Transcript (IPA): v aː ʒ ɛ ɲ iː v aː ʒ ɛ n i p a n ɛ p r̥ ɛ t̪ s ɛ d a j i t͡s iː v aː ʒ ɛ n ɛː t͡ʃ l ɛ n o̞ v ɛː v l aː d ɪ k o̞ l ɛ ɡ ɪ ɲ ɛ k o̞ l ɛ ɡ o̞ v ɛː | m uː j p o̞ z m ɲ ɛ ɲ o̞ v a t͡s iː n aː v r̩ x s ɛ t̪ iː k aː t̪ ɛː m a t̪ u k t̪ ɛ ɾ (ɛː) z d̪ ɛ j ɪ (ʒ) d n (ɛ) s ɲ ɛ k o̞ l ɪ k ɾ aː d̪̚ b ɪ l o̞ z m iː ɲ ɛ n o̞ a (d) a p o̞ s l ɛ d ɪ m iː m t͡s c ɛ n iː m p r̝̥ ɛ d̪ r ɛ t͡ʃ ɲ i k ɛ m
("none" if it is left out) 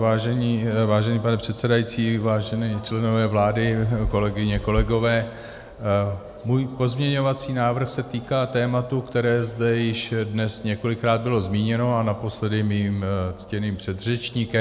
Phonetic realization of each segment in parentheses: ɛː, ʃ, ɛ, n

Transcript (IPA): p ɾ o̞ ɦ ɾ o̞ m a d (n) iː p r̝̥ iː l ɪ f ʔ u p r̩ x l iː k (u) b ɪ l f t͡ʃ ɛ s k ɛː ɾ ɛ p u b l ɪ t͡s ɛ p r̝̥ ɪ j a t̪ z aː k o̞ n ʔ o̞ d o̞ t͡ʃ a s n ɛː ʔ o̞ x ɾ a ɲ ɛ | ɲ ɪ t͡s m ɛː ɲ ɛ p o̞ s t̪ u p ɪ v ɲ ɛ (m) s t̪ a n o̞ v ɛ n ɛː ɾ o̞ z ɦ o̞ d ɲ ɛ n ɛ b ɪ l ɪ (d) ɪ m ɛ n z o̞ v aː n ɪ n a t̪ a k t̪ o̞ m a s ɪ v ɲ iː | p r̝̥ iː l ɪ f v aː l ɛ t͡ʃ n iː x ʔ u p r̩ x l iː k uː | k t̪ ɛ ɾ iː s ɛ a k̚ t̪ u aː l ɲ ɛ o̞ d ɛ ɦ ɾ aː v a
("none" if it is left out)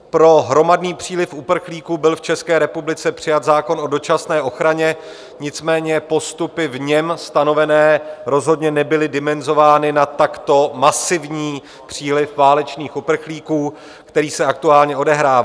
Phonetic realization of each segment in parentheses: n, uː, m, d

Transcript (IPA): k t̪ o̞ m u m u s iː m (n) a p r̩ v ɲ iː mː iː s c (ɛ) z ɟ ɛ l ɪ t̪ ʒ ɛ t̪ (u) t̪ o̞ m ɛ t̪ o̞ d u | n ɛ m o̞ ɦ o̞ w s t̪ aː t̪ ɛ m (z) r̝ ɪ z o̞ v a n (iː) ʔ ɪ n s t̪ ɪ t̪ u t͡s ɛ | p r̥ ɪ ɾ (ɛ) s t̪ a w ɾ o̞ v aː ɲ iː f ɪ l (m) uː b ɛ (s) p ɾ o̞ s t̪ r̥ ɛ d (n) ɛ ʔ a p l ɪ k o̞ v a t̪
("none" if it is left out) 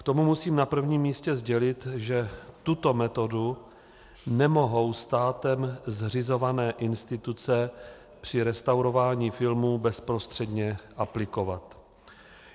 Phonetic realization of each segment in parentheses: n, ɛ, u, z, ɛː, ɛ, m, s, ɲ

